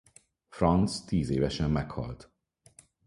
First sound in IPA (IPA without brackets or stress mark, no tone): f